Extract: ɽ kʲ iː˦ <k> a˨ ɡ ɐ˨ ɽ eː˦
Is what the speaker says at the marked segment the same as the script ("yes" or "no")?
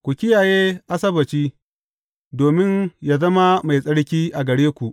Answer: no